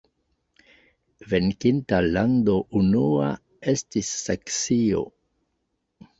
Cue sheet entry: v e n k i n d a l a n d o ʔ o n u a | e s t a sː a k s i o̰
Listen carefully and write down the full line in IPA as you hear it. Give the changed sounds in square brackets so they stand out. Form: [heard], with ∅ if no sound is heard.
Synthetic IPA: v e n k i n [t] a l a n d o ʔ [u] n u a | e s t [i] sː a k s i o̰